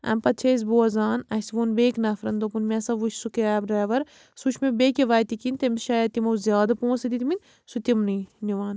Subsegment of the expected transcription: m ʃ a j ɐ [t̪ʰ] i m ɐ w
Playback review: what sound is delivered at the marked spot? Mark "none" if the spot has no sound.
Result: t̪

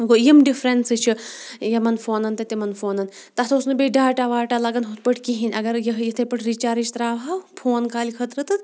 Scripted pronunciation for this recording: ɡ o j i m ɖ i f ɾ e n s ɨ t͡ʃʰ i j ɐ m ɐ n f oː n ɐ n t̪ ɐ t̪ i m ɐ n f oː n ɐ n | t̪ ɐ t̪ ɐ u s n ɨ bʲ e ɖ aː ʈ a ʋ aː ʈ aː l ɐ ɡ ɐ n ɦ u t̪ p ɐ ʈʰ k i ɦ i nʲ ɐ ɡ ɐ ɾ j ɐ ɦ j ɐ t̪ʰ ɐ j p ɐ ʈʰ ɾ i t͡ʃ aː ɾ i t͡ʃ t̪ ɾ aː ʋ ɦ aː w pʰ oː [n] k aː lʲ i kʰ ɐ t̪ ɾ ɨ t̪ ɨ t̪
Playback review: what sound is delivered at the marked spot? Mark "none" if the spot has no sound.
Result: n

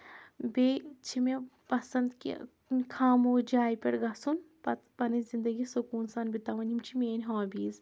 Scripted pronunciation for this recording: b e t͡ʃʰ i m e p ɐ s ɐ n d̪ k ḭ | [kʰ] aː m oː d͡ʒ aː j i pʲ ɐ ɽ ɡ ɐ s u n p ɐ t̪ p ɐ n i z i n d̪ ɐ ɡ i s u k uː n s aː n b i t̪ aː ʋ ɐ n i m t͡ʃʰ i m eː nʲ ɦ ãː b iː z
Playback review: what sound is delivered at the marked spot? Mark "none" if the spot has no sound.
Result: kʰ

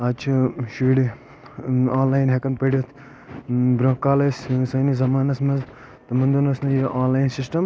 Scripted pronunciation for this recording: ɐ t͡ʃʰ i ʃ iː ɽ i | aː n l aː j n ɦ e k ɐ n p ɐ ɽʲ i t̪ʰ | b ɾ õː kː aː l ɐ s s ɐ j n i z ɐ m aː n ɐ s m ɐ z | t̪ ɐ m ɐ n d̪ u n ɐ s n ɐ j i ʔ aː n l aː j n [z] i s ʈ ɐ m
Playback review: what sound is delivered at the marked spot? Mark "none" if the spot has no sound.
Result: s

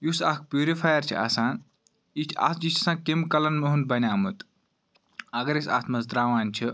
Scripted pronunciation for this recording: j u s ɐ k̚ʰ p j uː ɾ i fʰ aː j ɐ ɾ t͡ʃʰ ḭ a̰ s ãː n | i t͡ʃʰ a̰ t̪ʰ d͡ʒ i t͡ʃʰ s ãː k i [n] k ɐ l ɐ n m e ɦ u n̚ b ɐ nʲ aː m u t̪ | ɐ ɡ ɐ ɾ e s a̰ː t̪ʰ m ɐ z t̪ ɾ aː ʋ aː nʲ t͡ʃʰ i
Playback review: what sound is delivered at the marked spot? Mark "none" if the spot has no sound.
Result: m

